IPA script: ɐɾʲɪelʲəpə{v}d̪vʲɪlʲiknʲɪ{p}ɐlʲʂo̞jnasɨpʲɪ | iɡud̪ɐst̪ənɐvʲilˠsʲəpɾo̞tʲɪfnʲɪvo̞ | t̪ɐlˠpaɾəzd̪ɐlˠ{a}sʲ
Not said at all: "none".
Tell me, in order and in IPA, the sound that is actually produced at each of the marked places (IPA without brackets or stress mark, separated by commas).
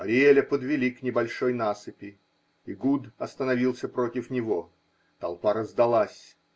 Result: none, b, a